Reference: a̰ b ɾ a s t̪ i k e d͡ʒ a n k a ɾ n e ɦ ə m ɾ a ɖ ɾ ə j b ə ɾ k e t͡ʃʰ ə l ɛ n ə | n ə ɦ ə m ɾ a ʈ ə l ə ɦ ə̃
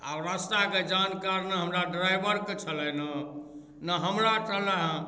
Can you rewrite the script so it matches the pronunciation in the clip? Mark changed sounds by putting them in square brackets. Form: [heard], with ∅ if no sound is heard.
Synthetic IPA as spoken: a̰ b ɾ a s t̪ [a] k e d͡ʒ a n k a ɾ n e ɦ ə m ɾ a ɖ ɾ [a] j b ə ɾ k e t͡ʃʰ ə l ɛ n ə | n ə ɦ ə m ɾ a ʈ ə l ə ɦ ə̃